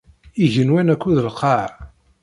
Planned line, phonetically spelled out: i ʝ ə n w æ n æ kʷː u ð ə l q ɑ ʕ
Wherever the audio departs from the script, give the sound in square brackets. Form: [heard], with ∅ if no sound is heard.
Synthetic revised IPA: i ʝ ə n w æ n æ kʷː u ð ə l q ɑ ʕ